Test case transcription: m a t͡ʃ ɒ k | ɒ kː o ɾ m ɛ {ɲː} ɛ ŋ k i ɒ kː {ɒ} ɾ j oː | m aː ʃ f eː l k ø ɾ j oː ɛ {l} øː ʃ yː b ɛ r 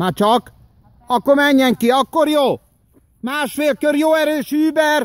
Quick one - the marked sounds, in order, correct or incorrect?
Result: correct, incorrect: o, incorrect: ɾ

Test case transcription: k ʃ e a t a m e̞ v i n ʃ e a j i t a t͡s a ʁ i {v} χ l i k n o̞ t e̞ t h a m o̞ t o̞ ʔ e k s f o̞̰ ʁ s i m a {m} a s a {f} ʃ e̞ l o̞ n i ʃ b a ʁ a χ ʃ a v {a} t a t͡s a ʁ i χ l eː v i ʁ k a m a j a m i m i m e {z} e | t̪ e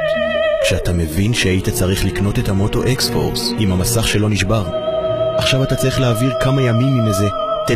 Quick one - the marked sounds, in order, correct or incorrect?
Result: incorrect: none, correct, incorrect: χ, correct, correct

